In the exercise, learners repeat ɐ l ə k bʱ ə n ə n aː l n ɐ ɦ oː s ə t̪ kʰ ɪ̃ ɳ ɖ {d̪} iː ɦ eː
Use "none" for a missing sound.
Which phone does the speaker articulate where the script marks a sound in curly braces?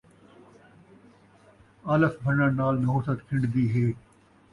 d̪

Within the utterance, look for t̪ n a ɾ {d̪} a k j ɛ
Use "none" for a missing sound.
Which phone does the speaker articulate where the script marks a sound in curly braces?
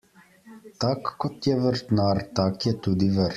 t̪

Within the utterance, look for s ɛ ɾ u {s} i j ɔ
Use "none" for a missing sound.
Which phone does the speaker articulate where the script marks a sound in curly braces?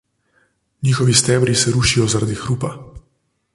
ʃ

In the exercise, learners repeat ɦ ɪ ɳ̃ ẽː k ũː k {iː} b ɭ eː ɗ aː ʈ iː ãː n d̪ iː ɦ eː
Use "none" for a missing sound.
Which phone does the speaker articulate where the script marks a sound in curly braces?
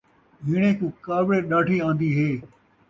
aː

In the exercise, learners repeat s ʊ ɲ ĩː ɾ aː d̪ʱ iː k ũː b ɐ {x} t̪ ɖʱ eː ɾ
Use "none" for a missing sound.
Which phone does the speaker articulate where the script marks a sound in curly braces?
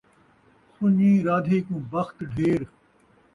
x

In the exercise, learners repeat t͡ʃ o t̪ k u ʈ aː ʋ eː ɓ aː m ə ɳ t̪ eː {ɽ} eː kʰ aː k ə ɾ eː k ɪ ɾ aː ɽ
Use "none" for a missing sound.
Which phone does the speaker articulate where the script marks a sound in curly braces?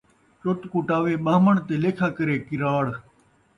l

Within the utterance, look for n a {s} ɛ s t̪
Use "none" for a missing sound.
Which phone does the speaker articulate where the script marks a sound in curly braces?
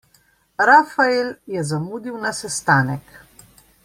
s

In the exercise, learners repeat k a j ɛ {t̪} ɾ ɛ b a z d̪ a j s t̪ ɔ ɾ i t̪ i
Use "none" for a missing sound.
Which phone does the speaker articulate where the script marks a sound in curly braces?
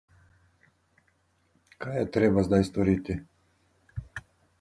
t̪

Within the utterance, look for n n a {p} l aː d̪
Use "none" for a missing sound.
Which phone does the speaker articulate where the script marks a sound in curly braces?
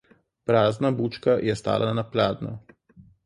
p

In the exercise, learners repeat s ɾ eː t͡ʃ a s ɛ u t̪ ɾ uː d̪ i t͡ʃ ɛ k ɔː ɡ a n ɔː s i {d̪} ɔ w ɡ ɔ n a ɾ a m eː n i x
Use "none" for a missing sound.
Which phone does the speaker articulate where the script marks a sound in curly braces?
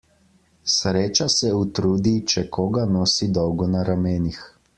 d̪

